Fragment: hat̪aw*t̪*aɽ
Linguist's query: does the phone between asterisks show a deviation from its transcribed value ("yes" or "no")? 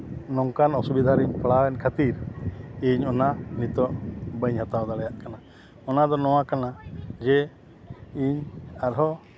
yes